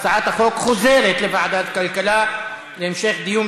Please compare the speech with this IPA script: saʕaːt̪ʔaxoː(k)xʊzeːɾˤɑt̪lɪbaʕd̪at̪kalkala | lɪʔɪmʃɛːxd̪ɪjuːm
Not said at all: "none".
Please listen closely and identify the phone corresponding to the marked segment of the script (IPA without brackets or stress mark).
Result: k